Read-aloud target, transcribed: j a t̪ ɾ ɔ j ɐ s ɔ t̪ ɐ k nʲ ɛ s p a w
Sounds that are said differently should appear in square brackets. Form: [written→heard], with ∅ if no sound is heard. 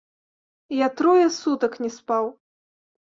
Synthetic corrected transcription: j a t̪ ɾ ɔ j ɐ s [ɔ→u] t̪ ɐ k nʲ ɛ s p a w